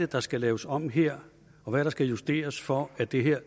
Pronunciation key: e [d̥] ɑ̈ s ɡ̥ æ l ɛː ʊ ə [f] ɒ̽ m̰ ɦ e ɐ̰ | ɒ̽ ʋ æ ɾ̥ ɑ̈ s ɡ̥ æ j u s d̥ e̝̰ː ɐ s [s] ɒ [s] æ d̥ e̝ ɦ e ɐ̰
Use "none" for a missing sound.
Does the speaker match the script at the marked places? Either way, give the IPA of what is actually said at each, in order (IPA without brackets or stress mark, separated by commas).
d̥, s, f, none